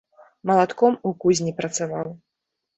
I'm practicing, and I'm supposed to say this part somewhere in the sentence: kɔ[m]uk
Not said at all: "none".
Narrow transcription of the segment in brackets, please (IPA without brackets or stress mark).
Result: m